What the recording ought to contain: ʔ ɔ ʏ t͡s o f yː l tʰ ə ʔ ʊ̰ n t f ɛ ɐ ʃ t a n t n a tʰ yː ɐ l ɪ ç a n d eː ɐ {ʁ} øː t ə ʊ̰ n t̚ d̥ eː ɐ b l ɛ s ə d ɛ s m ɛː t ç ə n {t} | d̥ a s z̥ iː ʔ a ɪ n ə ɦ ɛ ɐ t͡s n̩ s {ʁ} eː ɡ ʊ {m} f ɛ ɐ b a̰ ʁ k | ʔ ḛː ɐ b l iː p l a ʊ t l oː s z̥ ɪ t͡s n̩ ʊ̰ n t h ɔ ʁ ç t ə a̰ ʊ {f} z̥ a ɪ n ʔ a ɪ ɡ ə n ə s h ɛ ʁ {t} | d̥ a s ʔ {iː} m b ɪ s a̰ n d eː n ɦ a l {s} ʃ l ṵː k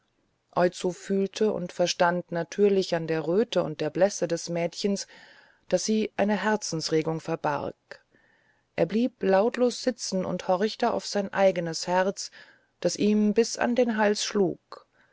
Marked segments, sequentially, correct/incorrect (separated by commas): correct, incorrect, correct, incorrect, correct, incorrect, correct, correct